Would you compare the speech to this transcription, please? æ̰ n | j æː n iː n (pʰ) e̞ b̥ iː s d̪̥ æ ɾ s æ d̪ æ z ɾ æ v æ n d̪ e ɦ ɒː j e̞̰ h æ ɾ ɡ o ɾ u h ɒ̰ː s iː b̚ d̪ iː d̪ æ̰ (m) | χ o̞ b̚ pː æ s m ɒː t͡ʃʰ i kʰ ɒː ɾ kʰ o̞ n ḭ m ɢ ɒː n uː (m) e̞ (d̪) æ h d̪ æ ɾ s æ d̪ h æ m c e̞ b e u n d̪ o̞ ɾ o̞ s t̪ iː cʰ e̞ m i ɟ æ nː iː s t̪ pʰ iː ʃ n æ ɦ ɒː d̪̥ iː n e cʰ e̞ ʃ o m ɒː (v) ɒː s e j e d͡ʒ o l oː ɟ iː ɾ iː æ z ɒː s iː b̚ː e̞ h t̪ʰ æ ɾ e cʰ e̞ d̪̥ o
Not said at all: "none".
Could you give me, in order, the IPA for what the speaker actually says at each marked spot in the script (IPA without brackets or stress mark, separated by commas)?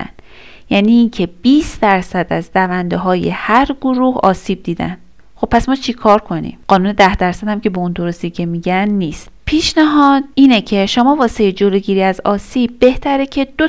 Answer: cʰ, n, n, d̪, v